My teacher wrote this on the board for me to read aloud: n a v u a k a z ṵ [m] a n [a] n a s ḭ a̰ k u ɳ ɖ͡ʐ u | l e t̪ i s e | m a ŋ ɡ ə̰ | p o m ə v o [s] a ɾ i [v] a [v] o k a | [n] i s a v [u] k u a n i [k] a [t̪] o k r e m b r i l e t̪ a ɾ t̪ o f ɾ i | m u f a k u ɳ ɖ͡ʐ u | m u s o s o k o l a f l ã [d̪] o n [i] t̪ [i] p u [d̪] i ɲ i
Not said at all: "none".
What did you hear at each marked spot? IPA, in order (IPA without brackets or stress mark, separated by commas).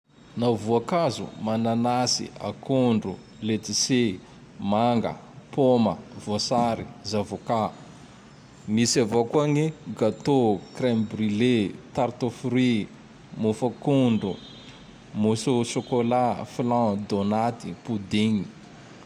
m, a, s, z, v, m, o, ɡ, t̪, d̪, a, i, d̪